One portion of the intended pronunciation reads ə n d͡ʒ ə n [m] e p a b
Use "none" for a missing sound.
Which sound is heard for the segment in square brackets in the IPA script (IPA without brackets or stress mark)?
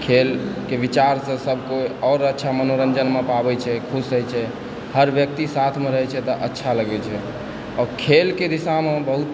m